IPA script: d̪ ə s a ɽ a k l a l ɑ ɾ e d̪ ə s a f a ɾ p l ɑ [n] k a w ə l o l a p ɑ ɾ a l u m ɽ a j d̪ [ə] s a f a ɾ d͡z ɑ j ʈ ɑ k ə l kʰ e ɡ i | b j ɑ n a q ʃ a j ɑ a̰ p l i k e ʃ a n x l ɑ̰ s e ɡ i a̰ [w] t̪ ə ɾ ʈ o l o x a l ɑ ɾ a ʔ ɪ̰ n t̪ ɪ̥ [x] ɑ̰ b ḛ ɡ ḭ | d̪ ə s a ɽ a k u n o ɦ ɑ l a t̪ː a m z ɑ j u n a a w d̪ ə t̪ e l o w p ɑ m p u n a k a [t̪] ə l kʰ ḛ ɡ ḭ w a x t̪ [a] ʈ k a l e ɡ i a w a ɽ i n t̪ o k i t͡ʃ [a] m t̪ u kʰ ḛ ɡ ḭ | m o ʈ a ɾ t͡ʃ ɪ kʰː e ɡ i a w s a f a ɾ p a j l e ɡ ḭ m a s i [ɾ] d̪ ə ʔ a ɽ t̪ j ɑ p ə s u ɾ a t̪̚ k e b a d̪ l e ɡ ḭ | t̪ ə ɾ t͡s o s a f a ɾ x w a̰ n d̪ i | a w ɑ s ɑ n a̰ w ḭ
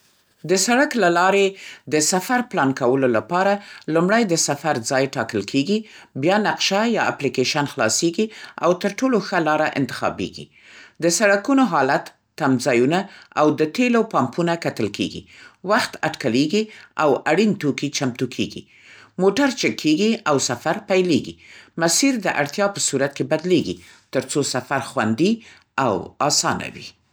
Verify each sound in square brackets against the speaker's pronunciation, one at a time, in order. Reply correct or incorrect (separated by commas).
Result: correct, correct, correct, correct, correct, correct, correct, correct